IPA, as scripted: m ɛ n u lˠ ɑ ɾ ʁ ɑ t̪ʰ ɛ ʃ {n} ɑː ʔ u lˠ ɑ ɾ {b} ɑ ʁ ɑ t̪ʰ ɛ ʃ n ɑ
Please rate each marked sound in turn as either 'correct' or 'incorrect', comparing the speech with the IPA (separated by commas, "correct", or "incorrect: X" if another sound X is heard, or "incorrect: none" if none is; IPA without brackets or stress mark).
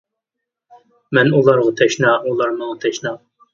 correct, incorrect: m